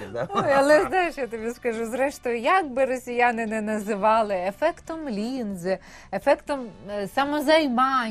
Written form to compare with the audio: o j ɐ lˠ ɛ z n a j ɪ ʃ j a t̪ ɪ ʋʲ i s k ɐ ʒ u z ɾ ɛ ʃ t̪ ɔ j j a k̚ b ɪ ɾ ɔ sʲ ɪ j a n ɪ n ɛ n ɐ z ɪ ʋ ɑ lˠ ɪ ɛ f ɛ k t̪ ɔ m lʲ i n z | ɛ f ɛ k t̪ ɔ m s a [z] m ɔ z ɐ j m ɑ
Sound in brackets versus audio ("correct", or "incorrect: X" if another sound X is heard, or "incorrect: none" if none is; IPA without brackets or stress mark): incorrect: none